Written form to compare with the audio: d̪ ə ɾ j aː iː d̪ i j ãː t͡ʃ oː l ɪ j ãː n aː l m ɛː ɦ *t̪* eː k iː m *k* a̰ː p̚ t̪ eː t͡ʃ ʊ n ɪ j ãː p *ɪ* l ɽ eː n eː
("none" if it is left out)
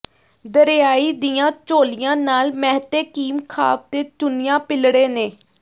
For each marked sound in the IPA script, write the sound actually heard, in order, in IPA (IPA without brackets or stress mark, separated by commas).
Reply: t̪, kʰ, ɪ